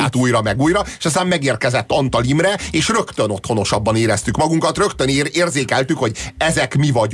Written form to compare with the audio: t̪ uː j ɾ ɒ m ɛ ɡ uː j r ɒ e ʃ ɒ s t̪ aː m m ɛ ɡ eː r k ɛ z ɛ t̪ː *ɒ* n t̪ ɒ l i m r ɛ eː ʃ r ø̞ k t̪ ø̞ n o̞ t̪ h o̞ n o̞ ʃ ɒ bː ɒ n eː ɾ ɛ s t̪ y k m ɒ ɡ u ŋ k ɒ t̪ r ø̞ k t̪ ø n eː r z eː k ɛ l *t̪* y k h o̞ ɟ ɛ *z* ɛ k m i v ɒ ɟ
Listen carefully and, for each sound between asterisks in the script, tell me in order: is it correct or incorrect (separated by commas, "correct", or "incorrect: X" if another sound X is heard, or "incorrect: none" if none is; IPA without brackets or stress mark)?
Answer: correct, correct, correct